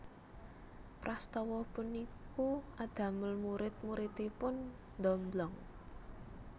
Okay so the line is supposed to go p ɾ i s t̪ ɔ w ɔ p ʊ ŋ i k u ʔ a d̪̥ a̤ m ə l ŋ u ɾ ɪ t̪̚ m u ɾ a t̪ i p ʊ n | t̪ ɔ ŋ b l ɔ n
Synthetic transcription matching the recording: p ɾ a s t̪ ɔ w ɔ p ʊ n i k u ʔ a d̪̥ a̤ m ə l m u ɾ ɪ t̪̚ m u ɾ i t̪ i p ʊ n | d̪ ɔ m b l ɔ ŋ